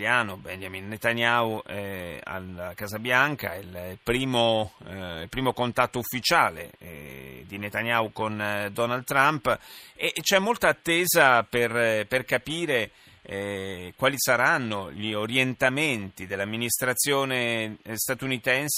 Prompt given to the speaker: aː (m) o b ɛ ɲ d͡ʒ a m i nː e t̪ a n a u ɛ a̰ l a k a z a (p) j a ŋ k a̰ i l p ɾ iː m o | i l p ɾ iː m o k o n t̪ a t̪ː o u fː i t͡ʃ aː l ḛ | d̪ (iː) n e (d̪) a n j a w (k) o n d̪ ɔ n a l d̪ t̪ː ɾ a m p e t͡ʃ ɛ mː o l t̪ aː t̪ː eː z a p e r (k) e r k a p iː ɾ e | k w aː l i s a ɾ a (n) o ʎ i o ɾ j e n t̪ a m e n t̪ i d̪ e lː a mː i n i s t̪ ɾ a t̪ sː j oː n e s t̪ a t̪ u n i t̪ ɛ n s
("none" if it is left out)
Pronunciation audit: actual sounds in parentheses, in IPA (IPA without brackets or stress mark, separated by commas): n, b, i, t̪, k, p, nː